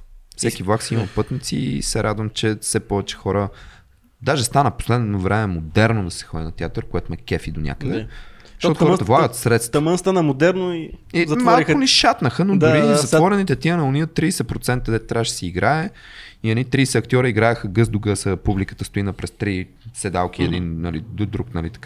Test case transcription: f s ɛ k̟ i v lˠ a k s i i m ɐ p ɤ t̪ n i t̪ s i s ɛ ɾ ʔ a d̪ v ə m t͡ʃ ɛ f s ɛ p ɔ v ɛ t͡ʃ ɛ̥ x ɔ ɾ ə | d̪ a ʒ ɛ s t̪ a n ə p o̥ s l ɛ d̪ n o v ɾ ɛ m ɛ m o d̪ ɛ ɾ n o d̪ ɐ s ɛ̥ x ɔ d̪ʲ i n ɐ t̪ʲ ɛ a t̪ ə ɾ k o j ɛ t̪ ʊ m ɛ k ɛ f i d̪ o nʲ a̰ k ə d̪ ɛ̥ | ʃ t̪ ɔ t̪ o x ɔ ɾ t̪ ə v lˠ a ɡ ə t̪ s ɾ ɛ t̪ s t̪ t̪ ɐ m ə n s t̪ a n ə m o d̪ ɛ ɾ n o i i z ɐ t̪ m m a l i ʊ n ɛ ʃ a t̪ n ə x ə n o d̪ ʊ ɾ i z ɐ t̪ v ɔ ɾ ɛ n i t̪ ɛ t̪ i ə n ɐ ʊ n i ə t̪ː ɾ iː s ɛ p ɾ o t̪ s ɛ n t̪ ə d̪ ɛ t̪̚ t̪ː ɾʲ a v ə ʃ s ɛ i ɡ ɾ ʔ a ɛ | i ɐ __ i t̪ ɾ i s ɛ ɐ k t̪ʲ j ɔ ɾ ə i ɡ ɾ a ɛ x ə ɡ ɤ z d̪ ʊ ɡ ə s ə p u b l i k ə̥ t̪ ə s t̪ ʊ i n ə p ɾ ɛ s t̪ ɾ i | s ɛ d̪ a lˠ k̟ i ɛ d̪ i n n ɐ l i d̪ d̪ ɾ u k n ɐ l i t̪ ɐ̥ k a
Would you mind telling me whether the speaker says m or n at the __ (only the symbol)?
n